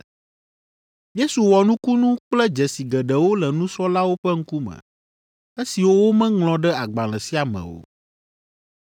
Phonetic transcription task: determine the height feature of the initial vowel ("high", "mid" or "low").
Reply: mid